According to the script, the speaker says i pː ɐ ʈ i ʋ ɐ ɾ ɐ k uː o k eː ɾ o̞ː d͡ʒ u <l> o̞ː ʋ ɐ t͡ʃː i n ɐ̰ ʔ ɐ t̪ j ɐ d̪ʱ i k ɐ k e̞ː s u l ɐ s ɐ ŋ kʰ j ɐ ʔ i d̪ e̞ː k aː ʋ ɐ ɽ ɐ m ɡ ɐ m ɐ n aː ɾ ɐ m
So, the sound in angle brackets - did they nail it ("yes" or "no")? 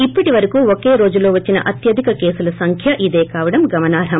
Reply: yes